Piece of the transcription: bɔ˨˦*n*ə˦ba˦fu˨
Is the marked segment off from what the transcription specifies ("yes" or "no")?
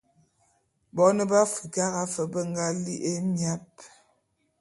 no